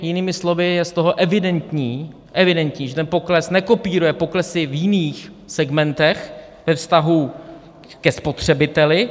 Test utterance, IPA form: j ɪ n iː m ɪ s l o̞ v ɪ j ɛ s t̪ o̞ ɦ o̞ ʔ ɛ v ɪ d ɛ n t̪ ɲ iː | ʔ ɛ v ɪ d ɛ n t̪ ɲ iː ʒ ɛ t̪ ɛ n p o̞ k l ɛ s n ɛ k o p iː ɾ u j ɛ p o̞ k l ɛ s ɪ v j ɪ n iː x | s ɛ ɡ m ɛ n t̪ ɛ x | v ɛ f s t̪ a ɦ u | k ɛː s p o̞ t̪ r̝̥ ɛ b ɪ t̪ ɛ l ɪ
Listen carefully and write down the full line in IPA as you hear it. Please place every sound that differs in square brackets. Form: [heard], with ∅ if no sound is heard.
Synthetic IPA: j ɪ n iː m ɪ s l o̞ v ɪ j ɛ s t̪ o̞ ɦ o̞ ʔ ɛ v ɪ d ɛ n t̪ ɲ iː | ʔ ɛ v ɪ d ɛ n t̪ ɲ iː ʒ ɛ t̪ ɛ n p o̞ k l ɛ s n ɛ k o p iː ɾ u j ɛ p o̞ k l ɛ s ɪ v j ɪ n iː x | s ɛ ɡ m ɛ n t̪ ɛ x | v ɛ f s t̪ a ɦ u | k [ɛ] s p o̞ t̪ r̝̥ ɛ b ɪ t̪ ɛ l ɪ